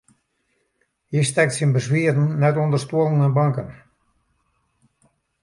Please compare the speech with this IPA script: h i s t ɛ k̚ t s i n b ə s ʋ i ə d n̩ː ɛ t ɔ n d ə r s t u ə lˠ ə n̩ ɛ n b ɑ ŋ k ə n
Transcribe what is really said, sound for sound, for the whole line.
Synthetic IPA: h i s t ɛ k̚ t s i n b ə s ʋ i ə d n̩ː ɛ t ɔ n d ə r s t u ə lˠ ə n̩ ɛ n b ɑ ŋ k ə n